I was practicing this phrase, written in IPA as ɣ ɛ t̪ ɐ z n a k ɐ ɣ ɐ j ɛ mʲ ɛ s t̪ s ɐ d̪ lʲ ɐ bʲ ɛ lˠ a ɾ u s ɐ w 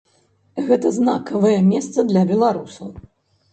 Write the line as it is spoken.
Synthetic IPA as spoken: ɣ ɛ t̪ ɐ z n a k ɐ v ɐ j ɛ mʲ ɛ s t̪ s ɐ d̪ lʲ ɐ bʲ ɛ lˠ a ɾ u s ɐ w